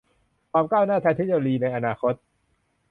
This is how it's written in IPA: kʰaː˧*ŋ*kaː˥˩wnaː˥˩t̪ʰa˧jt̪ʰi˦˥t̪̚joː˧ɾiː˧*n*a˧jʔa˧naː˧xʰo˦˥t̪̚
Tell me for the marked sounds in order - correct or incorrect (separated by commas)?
incorrect, correct